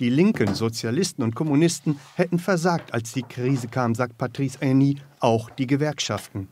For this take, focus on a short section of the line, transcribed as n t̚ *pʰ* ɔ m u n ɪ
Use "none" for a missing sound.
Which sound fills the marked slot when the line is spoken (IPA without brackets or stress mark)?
kʰ